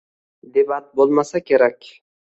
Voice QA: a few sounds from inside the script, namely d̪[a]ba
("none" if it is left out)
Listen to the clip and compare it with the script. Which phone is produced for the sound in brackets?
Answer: e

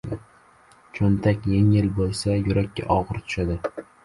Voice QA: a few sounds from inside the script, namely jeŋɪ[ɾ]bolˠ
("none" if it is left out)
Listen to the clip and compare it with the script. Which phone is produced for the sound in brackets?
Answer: l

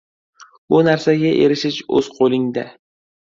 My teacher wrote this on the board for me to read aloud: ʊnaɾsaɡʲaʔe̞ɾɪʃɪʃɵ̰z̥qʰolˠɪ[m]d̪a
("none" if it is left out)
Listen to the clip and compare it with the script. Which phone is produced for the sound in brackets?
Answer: ŋ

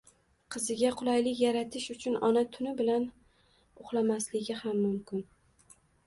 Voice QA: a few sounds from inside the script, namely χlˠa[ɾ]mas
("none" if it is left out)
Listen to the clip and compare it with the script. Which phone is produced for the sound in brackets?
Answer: none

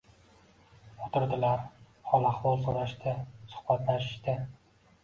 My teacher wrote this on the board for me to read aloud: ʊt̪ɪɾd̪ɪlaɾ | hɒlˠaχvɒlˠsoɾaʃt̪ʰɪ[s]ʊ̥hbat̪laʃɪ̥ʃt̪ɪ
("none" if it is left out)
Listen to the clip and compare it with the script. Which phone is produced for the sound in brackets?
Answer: s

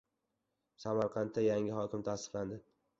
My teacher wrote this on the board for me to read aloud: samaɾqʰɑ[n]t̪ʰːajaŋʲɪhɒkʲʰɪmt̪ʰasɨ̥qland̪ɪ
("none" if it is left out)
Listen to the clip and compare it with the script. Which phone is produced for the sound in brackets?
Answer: n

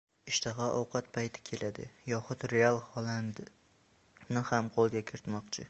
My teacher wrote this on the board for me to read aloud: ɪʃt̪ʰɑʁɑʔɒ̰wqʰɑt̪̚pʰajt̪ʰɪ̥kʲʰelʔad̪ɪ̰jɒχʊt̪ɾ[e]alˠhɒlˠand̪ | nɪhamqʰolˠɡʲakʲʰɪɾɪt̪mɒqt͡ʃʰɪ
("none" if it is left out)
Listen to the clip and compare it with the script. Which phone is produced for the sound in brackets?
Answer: e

